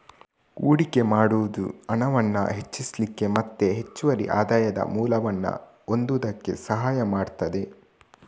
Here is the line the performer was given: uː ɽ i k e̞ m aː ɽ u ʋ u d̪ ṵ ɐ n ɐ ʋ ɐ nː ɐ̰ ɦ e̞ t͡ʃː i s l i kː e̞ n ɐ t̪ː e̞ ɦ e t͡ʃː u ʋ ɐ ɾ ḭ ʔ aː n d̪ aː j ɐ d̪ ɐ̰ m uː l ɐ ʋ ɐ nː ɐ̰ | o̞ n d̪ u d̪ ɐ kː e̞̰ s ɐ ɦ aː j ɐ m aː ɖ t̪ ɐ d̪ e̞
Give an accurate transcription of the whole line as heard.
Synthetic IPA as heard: uː ɽ i k e̞ m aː ɽ u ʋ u d̪ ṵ ɐ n ɐ ʋ ɐ nː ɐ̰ ɦ e̞ t͡ʃː i s l i kː e̞ m ɐ t̪ː e̞ ɦ e t͡ʃː u ʋ ɐ ɾ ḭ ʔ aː d̪ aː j ɐ d̪ ɐ̰ m uː l ɐ ʋ ɐ nː ɐ̰ | o̞ n d̪ u d̪ ɐ kː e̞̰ s ɐ ɦ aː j ɐ m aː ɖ t̪ ɐ d̪ e̞